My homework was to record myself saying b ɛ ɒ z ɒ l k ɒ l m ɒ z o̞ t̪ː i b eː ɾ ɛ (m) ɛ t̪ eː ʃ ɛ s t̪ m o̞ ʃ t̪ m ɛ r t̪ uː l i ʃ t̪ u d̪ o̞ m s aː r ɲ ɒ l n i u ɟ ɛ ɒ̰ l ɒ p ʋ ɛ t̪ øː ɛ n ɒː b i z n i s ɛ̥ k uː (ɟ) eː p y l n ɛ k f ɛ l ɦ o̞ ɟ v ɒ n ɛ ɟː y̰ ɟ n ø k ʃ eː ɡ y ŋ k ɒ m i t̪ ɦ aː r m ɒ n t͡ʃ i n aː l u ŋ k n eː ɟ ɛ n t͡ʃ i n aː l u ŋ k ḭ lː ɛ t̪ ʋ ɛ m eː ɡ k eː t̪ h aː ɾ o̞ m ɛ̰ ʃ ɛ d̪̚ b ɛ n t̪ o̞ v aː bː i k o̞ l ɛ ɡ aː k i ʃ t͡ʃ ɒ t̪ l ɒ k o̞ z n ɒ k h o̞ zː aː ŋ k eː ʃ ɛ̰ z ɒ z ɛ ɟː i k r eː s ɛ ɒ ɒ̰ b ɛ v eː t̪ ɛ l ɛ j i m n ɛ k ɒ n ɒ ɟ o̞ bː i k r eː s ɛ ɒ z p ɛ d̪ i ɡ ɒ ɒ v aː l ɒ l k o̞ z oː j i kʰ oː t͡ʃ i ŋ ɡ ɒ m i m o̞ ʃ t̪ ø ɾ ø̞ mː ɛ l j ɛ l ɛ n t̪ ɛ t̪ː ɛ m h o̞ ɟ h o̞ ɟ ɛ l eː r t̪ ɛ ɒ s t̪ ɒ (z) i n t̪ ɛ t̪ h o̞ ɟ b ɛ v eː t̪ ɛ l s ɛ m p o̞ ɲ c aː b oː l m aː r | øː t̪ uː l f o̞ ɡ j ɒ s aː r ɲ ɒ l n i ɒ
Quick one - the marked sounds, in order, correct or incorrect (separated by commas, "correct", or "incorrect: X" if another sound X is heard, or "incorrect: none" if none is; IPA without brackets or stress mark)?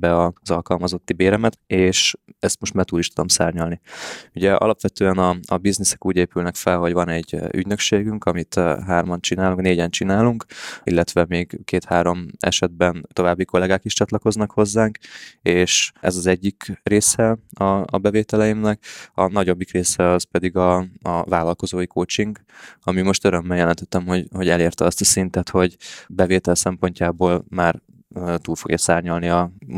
correct, correct, incorrect: s